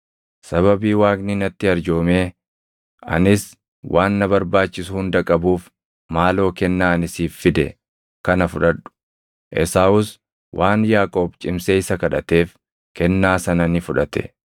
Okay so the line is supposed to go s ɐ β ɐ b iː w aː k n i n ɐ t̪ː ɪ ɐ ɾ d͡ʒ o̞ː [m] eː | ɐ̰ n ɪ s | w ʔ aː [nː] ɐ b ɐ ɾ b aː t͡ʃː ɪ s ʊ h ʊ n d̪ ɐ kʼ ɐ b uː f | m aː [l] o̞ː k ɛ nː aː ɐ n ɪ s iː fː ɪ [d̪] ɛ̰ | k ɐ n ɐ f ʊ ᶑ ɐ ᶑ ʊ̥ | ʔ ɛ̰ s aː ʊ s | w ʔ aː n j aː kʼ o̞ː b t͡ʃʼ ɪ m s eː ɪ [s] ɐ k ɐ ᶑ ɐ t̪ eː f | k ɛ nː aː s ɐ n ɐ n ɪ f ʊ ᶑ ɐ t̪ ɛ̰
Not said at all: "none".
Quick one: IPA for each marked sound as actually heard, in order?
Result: m, nː, l, d̪, s

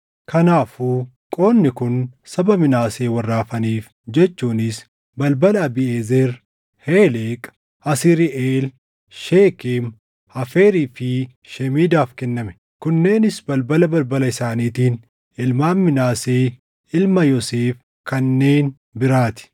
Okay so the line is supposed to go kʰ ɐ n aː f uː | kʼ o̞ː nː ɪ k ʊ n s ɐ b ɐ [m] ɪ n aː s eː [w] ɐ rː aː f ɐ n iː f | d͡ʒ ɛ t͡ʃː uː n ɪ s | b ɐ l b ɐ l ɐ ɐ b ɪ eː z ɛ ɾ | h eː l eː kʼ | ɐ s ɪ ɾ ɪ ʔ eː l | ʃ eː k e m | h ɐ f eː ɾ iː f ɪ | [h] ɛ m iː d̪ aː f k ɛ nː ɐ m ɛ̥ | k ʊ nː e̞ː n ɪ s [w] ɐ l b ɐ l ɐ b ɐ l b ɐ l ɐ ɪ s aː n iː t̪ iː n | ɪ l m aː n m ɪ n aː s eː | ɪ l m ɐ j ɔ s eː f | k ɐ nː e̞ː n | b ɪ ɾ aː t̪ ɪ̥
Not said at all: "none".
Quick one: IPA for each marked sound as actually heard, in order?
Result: m, w, ʃ, b

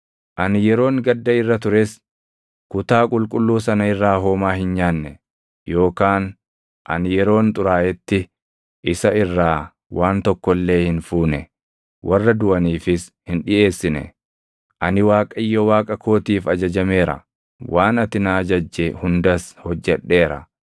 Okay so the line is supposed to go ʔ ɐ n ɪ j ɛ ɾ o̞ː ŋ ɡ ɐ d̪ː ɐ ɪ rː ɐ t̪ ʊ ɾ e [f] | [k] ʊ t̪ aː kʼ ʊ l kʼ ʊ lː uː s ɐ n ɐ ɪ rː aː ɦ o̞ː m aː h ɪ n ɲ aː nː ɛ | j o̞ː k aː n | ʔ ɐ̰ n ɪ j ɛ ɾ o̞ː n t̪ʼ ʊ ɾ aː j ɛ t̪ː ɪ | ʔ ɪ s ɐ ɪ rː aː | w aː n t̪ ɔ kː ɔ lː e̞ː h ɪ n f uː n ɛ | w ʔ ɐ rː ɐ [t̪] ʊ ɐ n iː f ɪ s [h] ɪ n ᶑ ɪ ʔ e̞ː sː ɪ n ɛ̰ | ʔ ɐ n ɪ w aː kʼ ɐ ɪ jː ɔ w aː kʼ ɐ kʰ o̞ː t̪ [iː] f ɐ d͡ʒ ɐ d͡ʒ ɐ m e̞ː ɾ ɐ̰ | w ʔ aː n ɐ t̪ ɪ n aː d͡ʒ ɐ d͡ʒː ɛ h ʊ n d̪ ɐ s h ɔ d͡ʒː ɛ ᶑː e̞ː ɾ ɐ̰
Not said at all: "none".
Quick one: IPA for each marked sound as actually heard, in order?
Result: s, k, d̪, h, iː

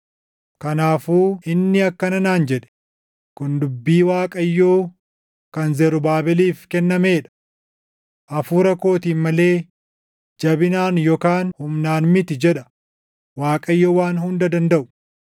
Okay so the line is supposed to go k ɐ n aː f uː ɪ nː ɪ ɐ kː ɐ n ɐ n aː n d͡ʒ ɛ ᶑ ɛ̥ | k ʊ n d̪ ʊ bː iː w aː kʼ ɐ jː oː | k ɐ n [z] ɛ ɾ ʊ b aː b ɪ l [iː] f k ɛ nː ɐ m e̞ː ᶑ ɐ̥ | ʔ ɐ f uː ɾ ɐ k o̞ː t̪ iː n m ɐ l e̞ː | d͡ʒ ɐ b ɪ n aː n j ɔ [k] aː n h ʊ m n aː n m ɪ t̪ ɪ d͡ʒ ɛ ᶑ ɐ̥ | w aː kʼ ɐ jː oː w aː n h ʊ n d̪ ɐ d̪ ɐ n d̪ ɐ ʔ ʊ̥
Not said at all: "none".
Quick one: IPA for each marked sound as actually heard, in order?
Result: z, iː, k

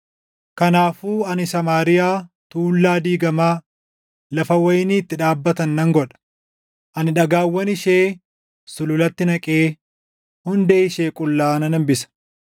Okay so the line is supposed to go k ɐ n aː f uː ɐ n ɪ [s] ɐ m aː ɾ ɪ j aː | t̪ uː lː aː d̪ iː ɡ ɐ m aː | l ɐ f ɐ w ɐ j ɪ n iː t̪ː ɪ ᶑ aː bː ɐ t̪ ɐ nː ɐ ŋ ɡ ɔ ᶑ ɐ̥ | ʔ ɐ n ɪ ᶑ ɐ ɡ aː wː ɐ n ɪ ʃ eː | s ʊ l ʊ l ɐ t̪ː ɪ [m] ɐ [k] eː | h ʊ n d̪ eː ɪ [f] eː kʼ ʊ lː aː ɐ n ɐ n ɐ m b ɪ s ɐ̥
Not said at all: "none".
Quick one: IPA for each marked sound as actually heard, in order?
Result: s, n, kʼ, ʃ

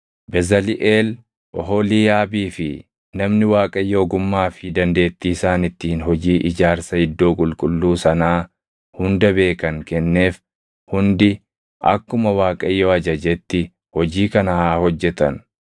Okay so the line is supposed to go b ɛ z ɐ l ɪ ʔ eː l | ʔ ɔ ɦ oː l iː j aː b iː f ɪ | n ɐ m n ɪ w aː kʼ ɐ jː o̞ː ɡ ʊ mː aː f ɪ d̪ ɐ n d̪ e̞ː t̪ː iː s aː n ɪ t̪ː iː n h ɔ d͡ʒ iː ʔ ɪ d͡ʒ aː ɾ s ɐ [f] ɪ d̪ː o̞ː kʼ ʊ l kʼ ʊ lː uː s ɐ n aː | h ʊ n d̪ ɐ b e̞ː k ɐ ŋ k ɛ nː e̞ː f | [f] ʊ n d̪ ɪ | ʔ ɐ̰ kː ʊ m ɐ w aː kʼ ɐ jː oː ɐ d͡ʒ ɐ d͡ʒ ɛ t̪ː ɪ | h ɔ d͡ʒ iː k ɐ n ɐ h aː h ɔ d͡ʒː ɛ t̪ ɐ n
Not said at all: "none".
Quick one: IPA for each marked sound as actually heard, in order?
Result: h, h

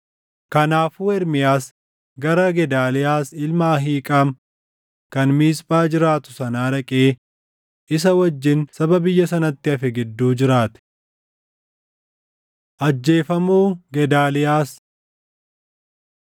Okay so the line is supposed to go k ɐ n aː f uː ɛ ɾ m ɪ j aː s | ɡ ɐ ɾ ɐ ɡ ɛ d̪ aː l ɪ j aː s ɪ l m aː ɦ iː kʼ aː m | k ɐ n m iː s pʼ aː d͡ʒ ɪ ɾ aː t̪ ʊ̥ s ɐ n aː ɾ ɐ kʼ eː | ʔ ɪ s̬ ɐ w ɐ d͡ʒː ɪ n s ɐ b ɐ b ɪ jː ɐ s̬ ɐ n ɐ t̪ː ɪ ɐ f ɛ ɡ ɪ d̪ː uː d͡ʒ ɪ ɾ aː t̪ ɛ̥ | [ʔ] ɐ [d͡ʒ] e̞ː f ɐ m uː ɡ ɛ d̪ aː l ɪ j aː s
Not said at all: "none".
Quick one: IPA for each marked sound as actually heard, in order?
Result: ʔ, d͡ʒː

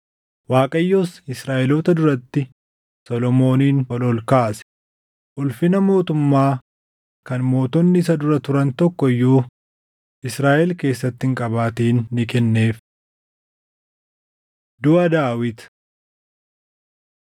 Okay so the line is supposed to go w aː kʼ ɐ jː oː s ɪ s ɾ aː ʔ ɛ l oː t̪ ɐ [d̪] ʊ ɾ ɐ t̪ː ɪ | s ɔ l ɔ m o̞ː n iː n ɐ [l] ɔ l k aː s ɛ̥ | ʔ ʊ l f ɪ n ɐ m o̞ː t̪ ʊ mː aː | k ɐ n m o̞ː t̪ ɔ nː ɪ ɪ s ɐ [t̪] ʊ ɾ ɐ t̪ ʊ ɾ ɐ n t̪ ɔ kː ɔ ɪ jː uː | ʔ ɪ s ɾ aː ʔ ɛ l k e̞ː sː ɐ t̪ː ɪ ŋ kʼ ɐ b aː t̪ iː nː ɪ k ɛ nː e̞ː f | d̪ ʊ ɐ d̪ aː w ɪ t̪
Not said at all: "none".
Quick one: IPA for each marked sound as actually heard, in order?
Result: d̪, l, d̪

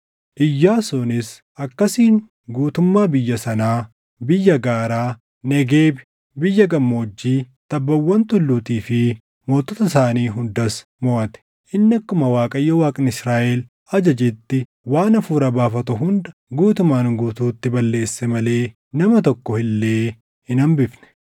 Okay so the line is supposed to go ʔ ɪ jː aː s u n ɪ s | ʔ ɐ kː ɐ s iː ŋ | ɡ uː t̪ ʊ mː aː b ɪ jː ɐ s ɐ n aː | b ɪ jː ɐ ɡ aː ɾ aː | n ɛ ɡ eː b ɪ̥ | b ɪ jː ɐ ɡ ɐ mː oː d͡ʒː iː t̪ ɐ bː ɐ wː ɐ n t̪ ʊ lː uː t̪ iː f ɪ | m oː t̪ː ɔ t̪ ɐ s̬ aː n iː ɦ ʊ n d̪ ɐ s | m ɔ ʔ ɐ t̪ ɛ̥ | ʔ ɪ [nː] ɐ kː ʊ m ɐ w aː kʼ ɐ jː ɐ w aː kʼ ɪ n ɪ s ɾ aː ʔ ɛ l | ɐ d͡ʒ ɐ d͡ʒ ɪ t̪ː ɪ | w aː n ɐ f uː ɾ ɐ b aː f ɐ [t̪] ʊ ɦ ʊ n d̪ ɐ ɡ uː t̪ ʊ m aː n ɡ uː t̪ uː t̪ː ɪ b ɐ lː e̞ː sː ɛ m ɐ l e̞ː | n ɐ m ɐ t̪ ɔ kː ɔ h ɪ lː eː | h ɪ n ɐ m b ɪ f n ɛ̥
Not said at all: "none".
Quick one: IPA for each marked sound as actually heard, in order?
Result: nː, t̪

